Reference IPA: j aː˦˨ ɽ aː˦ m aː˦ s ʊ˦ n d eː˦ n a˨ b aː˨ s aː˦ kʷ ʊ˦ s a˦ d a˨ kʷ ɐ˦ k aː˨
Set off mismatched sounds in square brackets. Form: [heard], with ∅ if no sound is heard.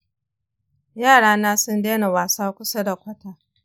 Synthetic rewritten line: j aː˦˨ ɽ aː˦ [n] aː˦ s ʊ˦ n d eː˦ n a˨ [w] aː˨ s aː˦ kʷ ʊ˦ s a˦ d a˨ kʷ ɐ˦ [t] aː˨